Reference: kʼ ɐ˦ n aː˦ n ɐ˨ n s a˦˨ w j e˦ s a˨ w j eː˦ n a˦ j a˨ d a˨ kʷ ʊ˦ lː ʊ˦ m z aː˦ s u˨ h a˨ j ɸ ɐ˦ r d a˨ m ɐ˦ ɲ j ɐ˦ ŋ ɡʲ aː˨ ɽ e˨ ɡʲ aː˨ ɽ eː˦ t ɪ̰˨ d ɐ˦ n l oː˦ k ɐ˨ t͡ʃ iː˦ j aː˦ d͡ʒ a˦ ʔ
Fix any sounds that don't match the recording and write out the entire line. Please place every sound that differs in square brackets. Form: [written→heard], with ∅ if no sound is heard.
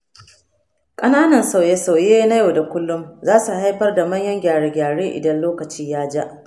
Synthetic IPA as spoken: kʼ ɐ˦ n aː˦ n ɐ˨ n s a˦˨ w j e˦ s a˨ w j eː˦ n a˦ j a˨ d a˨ kʷ ʊ˦ lː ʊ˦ m z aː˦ s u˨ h [a˨→a˦] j ɸ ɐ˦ r d a˨ m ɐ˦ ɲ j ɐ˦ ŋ ɡʲ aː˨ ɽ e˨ ɡʲ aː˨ ɽ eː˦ [t→ʔ] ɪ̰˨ d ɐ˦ n l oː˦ k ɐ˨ t͡ʃ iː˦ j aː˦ d͡ʒ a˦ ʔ